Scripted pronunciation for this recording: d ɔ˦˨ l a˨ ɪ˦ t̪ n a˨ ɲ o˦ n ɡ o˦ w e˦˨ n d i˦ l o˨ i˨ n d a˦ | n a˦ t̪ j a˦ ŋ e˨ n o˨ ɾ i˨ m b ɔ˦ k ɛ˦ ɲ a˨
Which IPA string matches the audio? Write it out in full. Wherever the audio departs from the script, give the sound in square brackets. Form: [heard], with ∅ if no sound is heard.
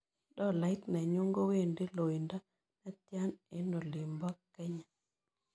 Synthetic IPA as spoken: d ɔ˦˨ l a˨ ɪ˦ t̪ n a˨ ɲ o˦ [ŋ] ɡ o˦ w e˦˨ n d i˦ l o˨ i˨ n d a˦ | n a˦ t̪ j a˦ [n] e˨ n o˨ [l] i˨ m b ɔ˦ k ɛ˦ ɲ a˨